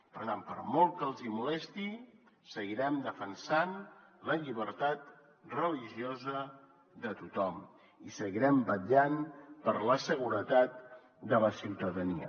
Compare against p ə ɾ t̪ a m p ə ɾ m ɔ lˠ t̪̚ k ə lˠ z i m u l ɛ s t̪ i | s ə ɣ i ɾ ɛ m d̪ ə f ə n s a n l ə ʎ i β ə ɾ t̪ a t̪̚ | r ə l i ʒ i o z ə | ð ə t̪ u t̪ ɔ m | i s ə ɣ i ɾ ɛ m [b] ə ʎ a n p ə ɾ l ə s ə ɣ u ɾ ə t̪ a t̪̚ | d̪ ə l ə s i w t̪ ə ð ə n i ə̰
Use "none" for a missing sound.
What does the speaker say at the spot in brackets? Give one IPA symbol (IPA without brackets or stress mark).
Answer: b